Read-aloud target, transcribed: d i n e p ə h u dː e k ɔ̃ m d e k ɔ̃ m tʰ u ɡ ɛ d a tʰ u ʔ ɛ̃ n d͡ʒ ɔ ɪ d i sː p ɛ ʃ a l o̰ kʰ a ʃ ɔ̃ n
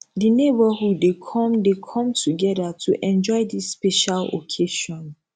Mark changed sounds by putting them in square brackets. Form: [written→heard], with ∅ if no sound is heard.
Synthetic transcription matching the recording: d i n e [p→b] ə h u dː e [k→kʰ] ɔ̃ m d e [k→kʰ] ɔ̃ m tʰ u ɡ ɛ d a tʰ u ʔ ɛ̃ n d͡ʒ ɔ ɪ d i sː p ɛ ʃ a l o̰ kʰ [a→e] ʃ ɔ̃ n